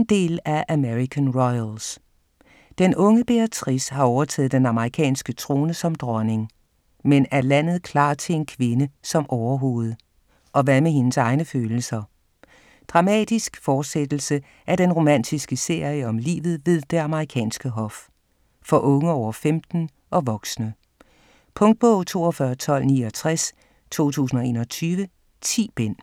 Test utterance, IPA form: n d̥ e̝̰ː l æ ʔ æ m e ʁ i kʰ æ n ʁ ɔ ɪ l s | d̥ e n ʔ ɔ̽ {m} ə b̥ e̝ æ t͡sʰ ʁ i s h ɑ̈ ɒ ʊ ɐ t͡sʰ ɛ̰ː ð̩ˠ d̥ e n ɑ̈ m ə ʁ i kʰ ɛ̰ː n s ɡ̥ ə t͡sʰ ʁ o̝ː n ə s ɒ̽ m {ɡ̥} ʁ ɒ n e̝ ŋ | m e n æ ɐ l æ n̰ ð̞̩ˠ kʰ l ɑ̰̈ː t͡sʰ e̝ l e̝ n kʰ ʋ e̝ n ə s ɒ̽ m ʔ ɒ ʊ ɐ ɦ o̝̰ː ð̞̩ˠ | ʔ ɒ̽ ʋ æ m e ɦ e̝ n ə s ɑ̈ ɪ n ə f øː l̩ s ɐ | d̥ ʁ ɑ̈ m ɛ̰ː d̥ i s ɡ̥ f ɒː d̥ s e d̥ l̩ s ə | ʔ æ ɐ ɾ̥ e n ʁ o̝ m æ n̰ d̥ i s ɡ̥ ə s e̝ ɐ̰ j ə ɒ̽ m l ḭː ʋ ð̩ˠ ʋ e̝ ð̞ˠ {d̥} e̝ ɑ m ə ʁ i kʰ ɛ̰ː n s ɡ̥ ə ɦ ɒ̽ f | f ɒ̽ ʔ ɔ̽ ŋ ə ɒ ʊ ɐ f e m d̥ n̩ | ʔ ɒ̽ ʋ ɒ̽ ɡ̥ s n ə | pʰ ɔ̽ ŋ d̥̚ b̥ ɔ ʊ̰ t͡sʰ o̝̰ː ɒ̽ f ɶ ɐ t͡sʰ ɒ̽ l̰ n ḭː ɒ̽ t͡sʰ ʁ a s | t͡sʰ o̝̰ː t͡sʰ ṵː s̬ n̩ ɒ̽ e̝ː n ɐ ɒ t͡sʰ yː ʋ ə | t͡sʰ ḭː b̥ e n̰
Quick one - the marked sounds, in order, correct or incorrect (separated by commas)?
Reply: incorrect, incorrect, correct